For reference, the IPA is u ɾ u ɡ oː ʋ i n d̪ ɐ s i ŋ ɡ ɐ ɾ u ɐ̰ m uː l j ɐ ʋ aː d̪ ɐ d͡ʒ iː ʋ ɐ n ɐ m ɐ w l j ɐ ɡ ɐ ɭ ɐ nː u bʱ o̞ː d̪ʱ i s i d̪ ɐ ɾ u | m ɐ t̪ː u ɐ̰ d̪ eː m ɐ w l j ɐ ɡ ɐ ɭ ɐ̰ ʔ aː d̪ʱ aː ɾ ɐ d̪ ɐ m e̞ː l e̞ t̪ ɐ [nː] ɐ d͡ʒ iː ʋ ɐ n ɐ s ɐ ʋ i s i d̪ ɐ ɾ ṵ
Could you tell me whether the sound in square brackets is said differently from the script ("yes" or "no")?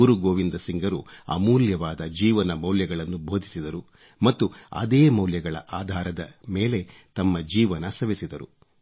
yes